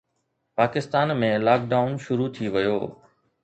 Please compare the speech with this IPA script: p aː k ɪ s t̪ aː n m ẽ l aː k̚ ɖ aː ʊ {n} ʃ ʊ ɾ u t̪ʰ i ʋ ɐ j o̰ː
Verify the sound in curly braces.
correct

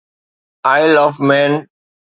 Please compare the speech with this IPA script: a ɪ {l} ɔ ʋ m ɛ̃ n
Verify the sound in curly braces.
correct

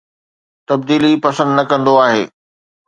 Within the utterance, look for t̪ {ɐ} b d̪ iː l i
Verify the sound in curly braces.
correct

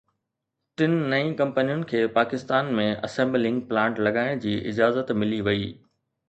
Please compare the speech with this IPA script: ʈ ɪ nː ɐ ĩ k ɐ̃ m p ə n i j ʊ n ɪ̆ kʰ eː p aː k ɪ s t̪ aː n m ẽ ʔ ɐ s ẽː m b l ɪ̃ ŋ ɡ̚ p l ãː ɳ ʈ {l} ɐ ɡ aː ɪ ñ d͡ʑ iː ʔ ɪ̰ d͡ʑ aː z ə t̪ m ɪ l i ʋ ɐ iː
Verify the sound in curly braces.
correct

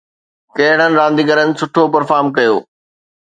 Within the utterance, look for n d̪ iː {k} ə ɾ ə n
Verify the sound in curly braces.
incorrect: ɡ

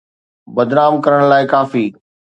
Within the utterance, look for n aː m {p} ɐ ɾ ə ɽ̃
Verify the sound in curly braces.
incorrect: k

